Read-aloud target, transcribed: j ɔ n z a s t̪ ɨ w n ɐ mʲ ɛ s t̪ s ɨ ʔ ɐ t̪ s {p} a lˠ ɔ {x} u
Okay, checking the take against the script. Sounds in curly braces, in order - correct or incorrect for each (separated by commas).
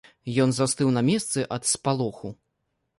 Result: correct, correct